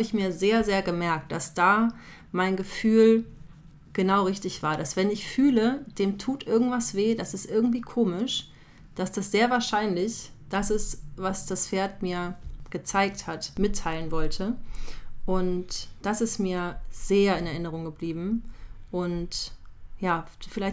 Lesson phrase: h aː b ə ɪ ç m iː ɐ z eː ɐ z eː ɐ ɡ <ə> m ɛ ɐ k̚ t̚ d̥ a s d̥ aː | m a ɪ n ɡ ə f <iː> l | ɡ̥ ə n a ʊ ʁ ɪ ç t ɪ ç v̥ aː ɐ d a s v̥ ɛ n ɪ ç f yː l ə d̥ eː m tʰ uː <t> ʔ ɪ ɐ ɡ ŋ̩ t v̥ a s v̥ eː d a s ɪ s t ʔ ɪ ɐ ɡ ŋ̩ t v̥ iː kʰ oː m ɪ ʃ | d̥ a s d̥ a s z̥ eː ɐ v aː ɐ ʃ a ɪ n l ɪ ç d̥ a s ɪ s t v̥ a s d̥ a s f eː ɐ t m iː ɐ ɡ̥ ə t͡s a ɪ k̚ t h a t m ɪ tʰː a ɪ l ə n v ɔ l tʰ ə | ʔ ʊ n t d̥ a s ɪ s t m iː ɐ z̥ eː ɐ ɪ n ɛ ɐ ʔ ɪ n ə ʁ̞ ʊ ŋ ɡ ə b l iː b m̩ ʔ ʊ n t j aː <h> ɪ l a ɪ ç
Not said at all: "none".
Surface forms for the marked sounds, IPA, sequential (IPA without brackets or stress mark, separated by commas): ə, yː, t, f